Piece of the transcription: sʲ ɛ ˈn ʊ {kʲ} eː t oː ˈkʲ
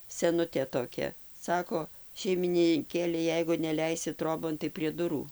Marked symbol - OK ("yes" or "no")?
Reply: no